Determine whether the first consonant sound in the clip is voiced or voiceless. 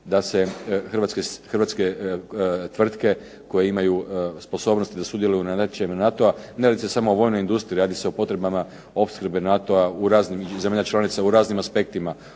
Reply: voiced